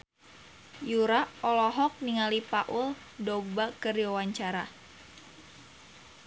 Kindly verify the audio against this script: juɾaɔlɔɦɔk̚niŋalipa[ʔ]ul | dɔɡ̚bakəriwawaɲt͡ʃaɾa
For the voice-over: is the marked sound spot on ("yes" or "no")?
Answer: yes